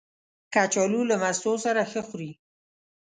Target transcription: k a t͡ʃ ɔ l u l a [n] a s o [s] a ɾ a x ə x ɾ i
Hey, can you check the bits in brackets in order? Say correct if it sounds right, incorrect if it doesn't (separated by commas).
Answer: incorrect, correct